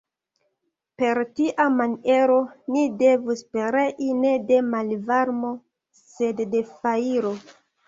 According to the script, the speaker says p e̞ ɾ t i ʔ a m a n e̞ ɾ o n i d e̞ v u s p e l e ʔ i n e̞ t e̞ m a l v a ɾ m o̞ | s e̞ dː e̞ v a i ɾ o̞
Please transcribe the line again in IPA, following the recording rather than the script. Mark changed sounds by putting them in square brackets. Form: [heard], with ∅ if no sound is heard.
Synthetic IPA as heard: p e̞ ɾ t i ʔ a m a n e̞ ɾ o n i d e̞ v u s p e [ɾ] e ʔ i n e̞ [d] e̞ m a l v a ɾ m o̞ | s e̞ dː e̞ [f] a i ɾ o̞